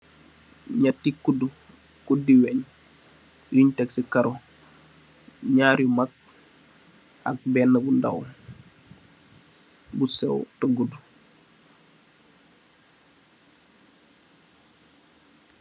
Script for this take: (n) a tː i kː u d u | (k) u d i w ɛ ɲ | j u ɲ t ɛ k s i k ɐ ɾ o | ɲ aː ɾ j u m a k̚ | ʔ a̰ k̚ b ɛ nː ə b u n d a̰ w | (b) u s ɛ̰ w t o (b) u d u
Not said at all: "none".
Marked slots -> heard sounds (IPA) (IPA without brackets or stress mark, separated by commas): ɲ, k, b, ɡ